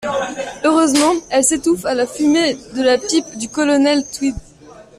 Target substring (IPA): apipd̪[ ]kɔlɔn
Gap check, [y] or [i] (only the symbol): y